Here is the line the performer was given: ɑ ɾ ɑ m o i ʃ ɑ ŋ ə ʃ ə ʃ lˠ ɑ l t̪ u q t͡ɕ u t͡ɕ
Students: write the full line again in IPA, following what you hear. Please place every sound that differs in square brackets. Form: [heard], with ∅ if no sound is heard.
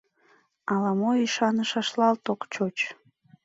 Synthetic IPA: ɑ [l] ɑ m o i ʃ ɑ [n] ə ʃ [ɑ] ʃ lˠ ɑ l t̪ [o] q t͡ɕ [o] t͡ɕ